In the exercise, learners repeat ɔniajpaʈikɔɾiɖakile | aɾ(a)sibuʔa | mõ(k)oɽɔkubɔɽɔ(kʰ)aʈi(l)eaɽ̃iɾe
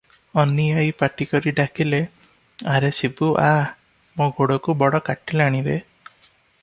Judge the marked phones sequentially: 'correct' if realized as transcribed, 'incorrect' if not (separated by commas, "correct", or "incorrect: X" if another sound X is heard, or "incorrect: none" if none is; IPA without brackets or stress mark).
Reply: incorrect: e, incorrect: ɡ, incorrect: k, correct